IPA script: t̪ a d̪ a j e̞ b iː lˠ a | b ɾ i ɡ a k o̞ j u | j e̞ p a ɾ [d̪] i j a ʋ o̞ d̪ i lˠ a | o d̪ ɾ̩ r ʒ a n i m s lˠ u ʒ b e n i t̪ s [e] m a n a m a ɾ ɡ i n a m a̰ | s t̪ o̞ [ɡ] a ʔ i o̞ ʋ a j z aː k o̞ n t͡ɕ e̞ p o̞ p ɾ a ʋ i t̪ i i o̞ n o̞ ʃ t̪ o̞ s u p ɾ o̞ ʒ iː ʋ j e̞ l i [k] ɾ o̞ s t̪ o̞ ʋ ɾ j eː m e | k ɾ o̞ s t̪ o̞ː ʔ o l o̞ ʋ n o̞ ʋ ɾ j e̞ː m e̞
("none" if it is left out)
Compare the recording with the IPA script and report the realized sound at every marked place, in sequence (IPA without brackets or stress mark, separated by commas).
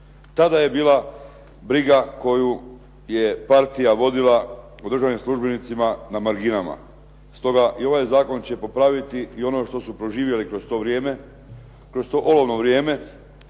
t̪, i, ɡ, k